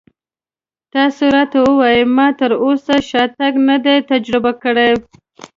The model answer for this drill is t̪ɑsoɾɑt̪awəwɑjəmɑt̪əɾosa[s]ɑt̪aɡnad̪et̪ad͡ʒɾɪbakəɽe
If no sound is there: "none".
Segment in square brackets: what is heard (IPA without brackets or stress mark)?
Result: ʃ